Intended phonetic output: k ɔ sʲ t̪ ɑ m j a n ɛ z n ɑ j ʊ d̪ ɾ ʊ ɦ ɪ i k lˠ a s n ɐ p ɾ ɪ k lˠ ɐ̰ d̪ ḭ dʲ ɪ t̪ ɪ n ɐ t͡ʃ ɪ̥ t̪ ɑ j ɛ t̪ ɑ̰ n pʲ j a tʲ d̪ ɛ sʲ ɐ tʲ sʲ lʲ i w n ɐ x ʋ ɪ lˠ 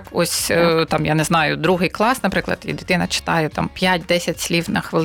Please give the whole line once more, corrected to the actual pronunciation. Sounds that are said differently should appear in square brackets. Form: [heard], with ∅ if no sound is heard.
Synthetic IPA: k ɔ sʲ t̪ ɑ m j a n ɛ z n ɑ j ʊ d̪ ɾ [u] ɦ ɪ [j] k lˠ [ɑ] s n ɐ p ɾ ɪ k lˠ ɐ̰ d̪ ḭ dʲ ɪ t̪ ɪ n ɐ t͡ʃ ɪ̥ t̪ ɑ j ɛ t̪ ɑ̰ [m] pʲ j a tʲ d̪ ɛ sʲ ɐ tʲ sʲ lʲ i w n ɐ x ʋ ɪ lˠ